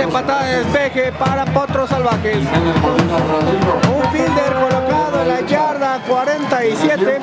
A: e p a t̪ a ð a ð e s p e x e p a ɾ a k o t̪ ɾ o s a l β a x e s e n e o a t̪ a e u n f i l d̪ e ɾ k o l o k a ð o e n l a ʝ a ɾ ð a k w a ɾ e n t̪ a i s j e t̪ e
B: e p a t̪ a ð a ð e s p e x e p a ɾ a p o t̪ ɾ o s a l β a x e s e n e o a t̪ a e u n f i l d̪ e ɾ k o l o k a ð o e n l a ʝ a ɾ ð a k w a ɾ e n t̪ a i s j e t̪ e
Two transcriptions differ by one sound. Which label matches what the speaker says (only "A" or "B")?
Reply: B